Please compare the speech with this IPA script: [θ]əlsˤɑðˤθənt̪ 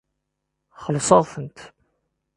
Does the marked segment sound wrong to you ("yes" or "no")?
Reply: yes